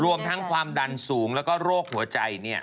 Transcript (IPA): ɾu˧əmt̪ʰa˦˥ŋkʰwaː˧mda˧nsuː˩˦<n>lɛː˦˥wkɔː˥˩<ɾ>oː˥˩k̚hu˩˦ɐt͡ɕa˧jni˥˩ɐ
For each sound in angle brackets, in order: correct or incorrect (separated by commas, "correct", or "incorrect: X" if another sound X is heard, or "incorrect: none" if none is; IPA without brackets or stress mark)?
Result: incorrect: ŋ, correct